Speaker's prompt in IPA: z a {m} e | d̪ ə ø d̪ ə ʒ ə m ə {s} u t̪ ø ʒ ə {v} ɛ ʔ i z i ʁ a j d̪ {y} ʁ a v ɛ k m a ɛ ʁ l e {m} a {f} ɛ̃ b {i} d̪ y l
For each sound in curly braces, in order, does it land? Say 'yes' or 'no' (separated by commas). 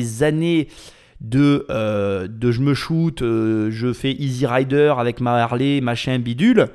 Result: no, no, no, no, yes, no, yes